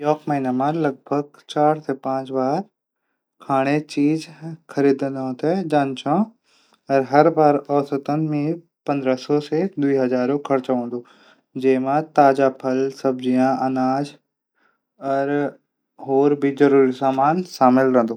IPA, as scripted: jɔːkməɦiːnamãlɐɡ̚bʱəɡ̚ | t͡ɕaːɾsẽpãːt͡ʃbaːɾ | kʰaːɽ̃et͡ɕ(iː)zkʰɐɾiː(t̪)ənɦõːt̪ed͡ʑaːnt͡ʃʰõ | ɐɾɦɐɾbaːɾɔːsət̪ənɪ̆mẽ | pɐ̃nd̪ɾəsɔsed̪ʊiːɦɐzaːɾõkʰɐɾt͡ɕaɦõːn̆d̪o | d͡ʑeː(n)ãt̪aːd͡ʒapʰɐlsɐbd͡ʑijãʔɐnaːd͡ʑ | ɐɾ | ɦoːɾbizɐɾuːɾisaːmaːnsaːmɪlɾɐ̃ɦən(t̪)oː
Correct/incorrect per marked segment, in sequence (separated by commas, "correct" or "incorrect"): correct, incorrect, incorrect, incorrect